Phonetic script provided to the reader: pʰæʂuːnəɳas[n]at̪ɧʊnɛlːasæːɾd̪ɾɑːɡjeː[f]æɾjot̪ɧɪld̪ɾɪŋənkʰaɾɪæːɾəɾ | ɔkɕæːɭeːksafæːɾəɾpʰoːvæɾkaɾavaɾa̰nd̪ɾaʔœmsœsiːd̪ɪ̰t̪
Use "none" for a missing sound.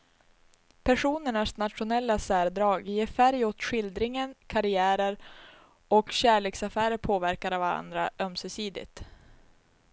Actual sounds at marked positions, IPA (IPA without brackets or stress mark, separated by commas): n, f